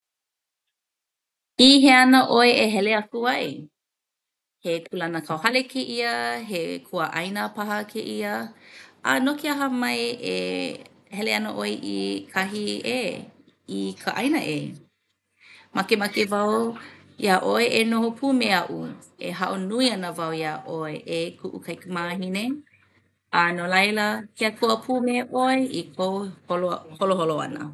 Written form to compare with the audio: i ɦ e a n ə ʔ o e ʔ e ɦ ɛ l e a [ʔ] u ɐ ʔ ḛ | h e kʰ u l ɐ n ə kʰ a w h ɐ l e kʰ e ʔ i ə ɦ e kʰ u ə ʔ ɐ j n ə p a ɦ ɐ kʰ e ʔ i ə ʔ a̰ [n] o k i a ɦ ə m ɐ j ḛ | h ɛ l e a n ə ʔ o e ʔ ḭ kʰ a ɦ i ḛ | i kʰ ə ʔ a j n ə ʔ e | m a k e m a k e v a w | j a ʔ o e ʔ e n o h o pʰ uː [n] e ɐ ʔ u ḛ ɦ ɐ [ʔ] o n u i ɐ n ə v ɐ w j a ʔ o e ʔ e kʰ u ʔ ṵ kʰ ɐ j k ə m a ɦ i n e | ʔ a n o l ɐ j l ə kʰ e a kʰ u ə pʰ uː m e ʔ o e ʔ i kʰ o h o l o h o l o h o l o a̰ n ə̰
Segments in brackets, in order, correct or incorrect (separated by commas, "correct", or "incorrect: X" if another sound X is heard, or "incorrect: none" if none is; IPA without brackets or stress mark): incorrect: k, correct, incorrect: m, correct